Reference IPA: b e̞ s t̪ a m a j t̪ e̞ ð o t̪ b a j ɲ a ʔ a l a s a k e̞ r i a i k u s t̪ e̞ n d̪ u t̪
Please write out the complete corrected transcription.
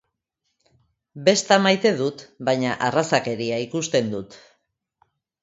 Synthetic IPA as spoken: b e̞ s t̪ a m a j t̪ e̞ ð u t̪ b a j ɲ a ʔ a r a s a k e̞ ɾ i a i k u s t̪ e̞ n d̪ u t̪

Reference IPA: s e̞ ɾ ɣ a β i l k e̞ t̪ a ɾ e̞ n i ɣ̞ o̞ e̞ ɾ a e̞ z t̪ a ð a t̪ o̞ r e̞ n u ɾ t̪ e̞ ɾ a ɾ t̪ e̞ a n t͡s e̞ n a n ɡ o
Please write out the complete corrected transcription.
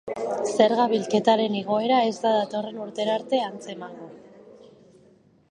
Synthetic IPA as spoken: s e̞ ɾ ɣ a β i l k e̞ t̪ a ɾ e̞ n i ɣ̞ o̞ e̞ ɾ a e̞ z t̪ a ð a t̪ o̞ r e̞ n u ɾ t̪ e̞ ɾ a ɾ t̪ e̞ a n t͡s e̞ m a ŋ ɡ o

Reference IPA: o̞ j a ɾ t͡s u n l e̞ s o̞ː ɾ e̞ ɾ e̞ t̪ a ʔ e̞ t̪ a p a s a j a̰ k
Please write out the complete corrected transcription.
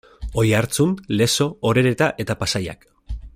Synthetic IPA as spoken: o̞ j a ɾ t͡s u n l e̞ s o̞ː ɾ e̞ ɾ e̞ t̪ a ʔ e̞ t̪ a p a s a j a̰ k

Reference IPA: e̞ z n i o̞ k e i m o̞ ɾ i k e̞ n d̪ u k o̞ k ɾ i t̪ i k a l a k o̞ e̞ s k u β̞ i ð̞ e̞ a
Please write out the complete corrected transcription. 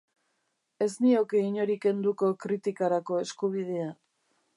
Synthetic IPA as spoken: e̞ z n i o̞ k e i ɲ o̞ ɾ i k e̞ n d̪ u k o̞ k ɾ i t̪ i k a ɾ a k o̞ e̞ s k u β̞ i ð̞ e̞ a

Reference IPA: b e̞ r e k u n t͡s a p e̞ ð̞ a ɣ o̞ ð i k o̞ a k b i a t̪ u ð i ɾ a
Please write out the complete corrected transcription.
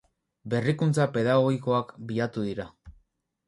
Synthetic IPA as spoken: b e̞ r i k u n t͡s a p e̞ ð̞ a ɣ o̞ ɣ i k o̞ a k b i a t̪ u ð i ɾ a

